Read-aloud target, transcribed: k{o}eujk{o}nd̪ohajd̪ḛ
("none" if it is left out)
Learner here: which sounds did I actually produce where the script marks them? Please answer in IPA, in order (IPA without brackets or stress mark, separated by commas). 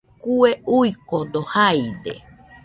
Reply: u, o